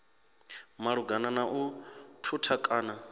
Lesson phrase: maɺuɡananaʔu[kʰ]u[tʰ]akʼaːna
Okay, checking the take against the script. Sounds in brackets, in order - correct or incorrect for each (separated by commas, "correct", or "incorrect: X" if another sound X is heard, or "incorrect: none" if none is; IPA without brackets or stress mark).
incorrect: tʰ, correct